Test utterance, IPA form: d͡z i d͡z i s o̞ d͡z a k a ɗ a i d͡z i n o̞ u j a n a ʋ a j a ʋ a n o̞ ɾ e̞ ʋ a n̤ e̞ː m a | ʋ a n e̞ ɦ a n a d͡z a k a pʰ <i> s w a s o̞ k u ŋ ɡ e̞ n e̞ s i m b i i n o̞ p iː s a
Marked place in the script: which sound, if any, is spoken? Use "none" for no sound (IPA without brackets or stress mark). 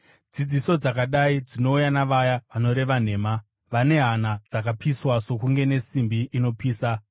i